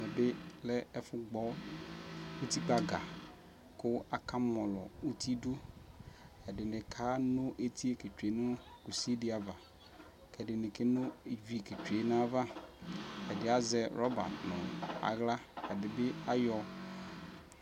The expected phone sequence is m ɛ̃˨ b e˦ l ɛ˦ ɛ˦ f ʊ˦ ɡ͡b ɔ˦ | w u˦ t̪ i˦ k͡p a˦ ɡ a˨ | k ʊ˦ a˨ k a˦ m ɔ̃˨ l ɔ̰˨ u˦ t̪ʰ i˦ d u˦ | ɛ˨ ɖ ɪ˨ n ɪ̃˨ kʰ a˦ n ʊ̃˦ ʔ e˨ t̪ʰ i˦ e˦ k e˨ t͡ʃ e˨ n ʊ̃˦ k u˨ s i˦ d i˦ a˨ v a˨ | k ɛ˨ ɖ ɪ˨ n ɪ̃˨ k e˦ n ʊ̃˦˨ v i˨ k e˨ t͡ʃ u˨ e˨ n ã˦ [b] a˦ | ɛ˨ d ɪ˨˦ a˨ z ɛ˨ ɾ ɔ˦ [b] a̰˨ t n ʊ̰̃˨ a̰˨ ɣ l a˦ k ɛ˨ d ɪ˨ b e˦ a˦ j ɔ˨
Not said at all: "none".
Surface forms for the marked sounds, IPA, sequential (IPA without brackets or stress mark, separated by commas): v, b